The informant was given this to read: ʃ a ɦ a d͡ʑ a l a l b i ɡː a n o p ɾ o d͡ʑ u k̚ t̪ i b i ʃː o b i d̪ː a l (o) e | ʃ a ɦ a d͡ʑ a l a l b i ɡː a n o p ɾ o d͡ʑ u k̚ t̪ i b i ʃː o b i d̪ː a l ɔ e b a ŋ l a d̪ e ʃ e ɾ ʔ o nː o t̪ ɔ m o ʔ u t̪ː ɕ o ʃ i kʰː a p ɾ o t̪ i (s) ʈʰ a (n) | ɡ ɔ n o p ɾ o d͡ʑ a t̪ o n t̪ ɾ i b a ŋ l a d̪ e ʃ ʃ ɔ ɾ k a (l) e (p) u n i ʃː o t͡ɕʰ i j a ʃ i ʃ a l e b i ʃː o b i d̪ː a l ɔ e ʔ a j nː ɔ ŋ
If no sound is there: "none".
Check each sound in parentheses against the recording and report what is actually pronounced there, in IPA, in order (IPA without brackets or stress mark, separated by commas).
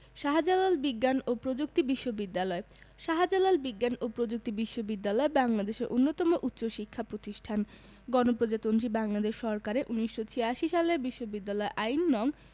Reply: ɔ, ʃ, n, ɾ, ʔ